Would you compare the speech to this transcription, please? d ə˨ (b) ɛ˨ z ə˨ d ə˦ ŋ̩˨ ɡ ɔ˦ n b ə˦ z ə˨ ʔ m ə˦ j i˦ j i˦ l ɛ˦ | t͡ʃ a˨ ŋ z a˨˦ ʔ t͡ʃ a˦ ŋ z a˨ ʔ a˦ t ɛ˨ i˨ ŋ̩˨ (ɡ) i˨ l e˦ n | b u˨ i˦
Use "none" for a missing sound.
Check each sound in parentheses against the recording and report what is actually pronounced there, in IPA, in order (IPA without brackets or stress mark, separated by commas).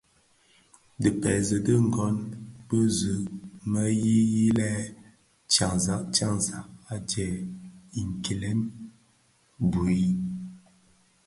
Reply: p, k